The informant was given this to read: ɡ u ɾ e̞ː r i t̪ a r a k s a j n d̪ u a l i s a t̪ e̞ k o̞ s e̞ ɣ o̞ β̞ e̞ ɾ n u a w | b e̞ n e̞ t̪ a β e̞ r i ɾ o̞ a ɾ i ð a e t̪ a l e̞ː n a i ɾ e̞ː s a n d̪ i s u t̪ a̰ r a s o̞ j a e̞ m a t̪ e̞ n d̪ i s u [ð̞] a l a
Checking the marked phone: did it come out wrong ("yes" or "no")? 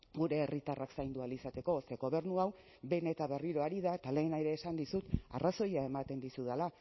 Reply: no